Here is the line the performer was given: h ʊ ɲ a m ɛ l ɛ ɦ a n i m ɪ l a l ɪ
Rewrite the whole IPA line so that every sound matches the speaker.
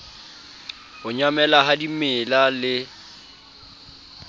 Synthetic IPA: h ʊ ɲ a m ɛ l a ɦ a d i m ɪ l a l ɪ